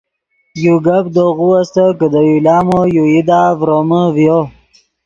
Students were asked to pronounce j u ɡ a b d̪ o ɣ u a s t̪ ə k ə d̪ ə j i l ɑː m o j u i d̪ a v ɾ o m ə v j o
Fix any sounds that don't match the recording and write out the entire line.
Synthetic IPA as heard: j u ɡ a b d̪ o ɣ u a s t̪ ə k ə d̪ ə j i l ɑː m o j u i d̪ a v ɾ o m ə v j o

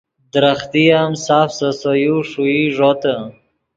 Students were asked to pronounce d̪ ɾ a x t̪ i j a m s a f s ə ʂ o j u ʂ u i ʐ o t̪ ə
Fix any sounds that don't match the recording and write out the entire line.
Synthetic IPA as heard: d̪ ɾ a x t̪ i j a m s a f s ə s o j u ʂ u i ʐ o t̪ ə

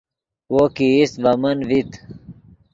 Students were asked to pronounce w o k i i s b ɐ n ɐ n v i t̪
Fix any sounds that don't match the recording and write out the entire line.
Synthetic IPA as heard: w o k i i s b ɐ m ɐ n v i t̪

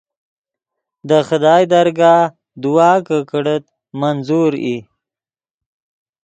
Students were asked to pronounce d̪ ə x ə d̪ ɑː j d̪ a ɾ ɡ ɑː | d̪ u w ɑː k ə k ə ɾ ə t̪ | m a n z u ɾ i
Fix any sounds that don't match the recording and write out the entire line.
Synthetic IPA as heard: d̪ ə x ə d̪ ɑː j d̪ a ɾ ɡ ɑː | d̪ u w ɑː k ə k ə ɽ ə t̪ | m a n z u ɾ i

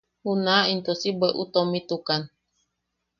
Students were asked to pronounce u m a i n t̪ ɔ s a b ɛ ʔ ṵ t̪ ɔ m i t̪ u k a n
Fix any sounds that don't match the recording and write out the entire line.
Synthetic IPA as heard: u n a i n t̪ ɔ s i b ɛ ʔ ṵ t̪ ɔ m i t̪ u k a n

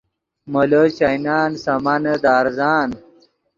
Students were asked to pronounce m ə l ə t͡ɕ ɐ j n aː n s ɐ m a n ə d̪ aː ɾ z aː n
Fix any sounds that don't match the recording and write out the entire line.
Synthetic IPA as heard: m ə l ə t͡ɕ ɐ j n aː n s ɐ m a n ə d̪ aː ɾ z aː n

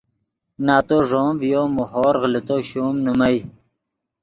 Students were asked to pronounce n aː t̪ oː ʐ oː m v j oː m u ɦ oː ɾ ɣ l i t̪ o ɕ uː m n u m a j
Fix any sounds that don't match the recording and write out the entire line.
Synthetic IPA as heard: n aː t̪ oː ʐ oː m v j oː m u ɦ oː ɾ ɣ l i t̪ o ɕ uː m n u m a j

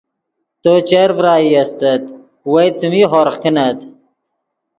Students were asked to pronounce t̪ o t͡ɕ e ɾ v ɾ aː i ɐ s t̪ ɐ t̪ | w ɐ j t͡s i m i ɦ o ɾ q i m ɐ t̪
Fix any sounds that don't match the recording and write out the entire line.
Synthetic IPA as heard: t̪ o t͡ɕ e ɾ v ɾ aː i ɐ s t̪ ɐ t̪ | w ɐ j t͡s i m i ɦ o ɾ q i n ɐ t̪

